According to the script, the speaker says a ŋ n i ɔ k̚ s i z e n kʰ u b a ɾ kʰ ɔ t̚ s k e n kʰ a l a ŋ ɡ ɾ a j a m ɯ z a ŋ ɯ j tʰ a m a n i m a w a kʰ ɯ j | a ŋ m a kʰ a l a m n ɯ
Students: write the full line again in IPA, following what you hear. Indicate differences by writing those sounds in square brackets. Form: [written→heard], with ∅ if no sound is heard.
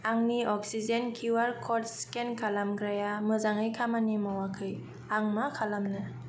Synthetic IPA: a ŋ n i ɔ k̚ s i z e n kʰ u [b→w] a ɾ kʰ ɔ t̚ s k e n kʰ a l a [ŋ→m] ɡ ɾ a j a m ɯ z a ŋ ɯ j [tʰ→kʰ] a m a n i m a w a kʰ ɯ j | a ŋ m a kʰ a l a m n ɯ